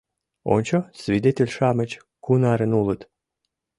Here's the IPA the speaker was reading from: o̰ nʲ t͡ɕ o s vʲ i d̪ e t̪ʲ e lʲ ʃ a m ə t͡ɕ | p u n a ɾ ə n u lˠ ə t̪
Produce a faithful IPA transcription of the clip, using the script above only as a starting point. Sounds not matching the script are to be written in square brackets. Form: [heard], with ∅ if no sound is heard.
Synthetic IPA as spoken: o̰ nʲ t͡ɕ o s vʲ i d̪ e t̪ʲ e lʲ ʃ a m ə t͡ɕ | [k] u n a ɾ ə n u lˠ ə t̪